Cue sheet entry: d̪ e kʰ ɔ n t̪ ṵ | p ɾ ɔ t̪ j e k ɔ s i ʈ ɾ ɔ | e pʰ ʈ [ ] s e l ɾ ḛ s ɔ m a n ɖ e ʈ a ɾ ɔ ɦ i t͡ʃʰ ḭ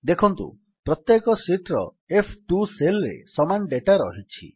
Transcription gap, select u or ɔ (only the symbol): u